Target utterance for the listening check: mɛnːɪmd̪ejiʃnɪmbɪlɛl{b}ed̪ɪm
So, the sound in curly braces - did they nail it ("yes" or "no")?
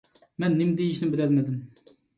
no